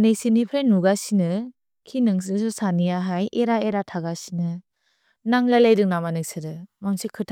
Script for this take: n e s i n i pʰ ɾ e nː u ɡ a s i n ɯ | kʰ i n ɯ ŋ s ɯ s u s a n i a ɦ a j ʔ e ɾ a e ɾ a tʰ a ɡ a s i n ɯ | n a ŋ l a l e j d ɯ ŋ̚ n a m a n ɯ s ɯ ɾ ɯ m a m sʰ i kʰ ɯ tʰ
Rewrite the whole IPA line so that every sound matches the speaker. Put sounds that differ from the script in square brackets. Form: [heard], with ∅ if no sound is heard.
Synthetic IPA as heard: n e s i n i pʰ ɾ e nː u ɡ a s i n ɯ | kʰ i n ɯ ŋ s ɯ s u s a n i a ɦ a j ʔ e ɾ a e ɾ a tʰ a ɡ a s i n ɯ | n a ŋ l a l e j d ɯ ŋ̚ n a m a n ɯ s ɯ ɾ ɯ m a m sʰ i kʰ ɯ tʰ